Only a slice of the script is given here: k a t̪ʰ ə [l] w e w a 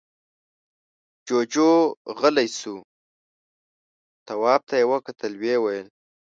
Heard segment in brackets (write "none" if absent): l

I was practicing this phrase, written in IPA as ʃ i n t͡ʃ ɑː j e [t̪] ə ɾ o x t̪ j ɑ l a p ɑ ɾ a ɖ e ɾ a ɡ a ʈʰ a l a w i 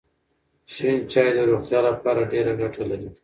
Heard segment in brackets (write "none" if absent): d̪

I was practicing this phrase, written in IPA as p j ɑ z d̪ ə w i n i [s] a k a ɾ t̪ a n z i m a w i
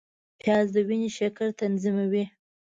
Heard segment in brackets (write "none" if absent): ʃ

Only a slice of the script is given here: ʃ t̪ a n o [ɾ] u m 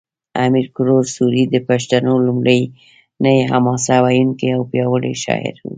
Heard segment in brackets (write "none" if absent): l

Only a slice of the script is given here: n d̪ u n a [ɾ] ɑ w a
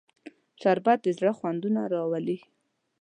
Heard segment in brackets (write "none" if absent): ɾ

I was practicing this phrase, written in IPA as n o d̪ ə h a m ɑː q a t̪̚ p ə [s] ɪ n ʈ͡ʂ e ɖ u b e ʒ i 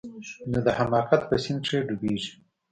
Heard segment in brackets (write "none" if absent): s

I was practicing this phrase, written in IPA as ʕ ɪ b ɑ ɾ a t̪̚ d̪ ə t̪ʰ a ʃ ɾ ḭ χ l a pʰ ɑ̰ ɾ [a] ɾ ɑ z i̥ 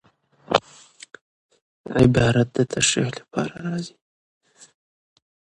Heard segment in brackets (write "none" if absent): a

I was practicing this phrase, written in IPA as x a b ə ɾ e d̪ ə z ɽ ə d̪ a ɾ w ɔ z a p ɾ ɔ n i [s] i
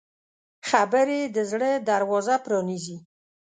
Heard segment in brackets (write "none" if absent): z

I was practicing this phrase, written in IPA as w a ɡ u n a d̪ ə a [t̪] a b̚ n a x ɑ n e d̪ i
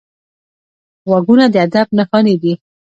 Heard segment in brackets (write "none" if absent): d̪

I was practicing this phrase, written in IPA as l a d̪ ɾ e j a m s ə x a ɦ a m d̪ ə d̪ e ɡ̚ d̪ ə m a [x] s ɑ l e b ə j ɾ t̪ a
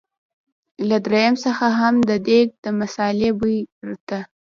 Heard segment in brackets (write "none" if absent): none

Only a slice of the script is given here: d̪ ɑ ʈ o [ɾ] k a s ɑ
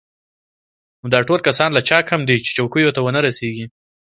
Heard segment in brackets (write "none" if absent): l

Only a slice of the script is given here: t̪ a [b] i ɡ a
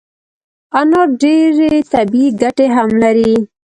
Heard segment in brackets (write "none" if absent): b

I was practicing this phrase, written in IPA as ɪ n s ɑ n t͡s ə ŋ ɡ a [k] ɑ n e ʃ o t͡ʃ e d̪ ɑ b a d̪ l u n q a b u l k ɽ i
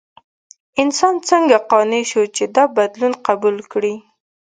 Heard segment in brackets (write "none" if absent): q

